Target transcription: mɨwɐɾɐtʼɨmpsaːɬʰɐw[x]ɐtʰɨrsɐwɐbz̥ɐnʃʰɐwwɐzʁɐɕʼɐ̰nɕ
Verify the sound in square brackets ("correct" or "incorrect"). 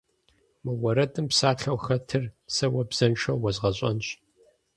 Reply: correct